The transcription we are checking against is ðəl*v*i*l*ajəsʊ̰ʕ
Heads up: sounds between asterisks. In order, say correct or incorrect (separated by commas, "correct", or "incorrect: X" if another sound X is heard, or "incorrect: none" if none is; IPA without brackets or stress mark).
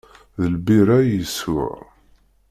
incorrect: b, incorrect: ɾ